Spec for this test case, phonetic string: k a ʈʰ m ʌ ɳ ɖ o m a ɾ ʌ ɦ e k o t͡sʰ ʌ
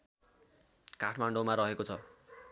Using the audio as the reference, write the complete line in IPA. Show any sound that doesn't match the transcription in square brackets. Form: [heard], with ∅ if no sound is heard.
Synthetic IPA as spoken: k a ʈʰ m [a] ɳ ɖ o m a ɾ ʌ ɦ e k o t͡sʰ ʌ

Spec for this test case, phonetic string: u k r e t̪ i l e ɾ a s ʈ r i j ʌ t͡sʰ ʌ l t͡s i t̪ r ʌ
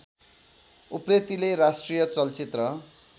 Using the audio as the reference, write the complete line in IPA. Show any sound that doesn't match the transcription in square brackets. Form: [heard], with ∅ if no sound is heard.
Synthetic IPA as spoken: u [p] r e t̪ i l e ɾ a s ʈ r i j ʌ [t͡s] ʌ l t͡s i t̪ r ʌ

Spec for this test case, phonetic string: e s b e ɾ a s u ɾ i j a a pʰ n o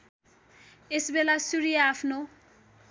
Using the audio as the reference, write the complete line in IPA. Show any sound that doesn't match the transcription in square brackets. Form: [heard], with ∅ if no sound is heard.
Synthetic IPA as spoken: e s b e [l] a s u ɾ i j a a pʰ n o

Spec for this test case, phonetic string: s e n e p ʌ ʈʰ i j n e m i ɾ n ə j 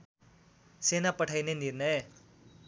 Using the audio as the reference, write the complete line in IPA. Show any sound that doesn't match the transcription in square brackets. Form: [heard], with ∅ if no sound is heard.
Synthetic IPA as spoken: s e n [a] p [ə] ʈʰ [a] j n e [n] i ɾ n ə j

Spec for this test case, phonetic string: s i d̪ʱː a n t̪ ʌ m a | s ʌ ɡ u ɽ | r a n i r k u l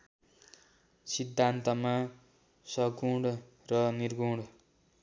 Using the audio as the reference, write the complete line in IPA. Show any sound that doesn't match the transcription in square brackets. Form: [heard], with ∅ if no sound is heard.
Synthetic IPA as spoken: s i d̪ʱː a n t̪ ʌ m a | s ʌ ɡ u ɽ | r [ʌ] n i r [ɡ] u [ɽ]

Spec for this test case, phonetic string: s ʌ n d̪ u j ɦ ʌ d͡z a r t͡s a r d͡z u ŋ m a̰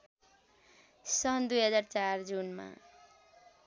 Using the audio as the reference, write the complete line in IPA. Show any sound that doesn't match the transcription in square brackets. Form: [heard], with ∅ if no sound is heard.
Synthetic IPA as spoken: s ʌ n d̪ u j ɦ ʌ d͡z a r t͡s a r d͡z u [n] m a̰

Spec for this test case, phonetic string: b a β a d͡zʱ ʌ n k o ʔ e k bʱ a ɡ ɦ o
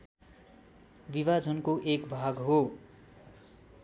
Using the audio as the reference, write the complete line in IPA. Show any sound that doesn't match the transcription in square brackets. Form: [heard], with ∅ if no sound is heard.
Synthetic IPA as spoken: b [i] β a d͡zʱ ʌ n k o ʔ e k bʱ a ɡ ɦ o

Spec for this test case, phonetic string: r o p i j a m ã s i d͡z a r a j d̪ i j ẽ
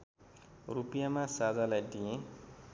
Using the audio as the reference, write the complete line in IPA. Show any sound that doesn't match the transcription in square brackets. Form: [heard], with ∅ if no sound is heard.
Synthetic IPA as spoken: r [u] p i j a m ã s [a] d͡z a [l] a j d̪ i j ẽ

